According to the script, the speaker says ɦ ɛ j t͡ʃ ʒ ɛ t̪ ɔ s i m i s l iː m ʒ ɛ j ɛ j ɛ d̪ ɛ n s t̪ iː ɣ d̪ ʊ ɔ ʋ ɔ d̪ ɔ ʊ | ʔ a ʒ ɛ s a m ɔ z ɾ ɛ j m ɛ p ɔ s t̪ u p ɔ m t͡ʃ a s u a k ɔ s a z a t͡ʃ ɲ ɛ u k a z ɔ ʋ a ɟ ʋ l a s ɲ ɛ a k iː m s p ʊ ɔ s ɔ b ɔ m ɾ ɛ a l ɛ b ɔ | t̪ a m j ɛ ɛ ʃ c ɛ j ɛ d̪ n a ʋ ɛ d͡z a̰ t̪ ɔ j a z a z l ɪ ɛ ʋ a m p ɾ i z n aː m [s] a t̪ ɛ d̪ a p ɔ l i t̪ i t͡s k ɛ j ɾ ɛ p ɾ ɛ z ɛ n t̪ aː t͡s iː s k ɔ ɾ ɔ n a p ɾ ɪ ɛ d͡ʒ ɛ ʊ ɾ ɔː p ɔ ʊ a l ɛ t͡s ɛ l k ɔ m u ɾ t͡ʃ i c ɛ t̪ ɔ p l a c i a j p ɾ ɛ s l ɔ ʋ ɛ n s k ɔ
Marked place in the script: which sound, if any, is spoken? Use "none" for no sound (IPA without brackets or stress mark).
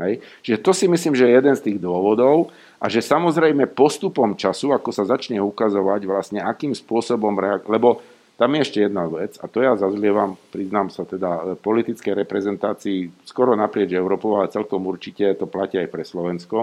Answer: s